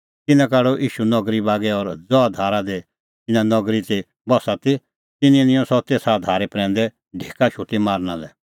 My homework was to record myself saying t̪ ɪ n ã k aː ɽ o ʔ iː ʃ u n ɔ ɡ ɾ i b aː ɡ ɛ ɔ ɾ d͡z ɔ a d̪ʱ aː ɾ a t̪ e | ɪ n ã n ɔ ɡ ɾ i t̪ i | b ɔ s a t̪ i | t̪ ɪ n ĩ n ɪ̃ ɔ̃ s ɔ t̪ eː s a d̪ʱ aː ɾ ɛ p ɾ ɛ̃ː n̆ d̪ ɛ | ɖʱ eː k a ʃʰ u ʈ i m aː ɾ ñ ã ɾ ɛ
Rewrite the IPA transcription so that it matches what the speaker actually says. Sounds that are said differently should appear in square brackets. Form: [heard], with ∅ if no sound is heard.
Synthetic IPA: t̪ ɪ n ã k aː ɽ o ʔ iː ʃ u n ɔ ɡ ɾ i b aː ɡ ɛ ɔ ɾ d͡z ɔ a d̪ʱ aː ɾ a [d̪] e | ɪ n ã n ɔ ɡ ɾ i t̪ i | b ɔ s a t̪ i | t̪ ɪ n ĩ n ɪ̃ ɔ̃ s ɔ t̪ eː s a d̪ʱ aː ɾ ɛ p ɾ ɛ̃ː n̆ d̪ ɛ | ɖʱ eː k a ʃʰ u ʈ i m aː ɾ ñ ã [l] ɛ